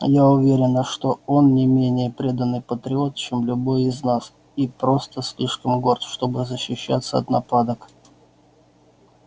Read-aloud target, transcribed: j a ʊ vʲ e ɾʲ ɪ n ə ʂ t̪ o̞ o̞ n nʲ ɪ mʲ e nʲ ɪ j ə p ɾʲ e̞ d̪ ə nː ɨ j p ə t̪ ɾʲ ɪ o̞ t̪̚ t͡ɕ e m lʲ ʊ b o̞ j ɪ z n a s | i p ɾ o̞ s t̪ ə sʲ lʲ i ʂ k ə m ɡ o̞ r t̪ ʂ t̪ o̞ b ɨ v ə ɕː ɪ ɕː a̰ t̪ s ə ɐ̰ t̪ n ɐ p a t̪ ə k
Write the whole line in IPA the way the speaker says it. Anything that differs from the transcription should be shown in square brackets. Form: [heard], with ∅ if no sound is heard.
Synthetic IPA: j a ʊ vʲ e ɾʲ ɪ n ə ʂ t̪ o̞ o̞ n nʲ ɪ mʲ e nʲ ɪ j ə p ɾʲ e̞ d̪ ə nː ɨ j p ə t̪ ɾʲ ɪ o̞ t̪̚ t͡ɕ e m lʲ ʊ b o̞ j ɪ z n a s | i p ɾ o̞ s t̪ ə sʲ lʲ i ʂ k ə m ɡ o̞ r t̪ ʂ t̪ o̞ b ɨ [z] ə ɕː ɪ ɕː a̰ t̪ s ə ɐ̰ t̪ n ɐ p a [d̪] ə k